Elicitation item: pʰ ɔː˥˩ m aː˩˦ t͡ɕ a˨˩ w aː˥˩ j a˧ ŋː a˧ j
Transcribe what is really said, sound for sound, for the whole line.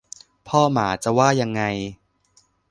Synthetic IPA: pʰ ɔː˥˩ m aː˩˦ t͡ɕ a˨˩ w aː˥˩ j a˧ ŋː a˧ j